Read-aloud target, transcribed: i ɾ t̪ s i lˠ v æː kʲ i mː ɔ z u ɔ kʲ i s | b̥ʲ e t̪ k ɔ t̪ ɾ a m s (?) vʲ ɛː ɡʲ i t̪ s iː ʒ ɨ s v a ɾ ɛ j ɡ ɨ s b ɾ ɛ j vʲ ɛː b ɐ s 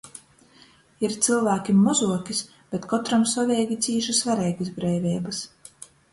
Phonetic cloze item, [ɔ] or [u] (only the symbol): ɔ